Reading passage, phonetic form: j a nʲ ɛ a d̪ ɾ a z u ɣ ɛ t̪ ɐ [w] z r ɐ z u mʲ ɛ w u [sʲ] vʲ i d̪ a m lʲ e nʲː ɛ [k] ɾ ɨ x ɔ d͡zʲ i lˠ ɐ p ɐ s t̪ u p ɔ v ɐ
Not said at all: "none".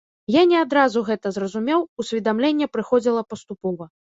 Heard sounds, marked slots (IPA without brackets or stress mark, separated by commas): none, sʲ, p